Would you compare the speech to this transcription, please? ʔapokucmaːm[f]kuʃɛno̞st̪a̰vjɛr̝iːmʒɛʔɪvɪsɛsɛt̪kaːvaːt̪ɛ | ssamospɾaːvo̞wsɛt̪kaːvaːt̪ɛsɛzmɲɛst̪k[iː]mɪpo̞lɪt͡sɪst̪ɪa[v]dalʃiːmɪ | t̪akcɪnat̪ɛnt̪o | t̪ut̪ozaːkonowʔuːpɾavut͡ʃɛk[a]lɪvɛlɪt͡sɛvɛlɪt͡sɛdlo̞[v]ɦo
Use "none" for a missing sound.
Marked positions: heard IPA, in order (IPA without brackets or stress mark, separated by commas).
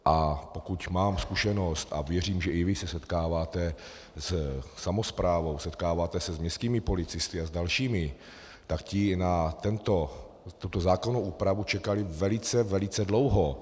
s, iː, z, a, w